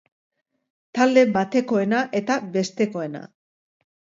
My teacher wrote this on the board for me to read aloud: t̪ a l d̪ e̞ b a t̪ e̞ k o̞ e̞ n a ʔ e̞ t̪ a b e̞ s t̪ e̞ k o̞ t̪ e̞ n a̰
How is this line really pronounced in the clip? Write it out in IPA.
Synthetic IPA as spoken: t̪ a l d̪ e̞ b a t̪ e̞ k o̞ e̞ n a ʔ e̞ t̪ a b e̞ s t̪ e̞ k o̞ e̞ n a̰